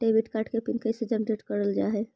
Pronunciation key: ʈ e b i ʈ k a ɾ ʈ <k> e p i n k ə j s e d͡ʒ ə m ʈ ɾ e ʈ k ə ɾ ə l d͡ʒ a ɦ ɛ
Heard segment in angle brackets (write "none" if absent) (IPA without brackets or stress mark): k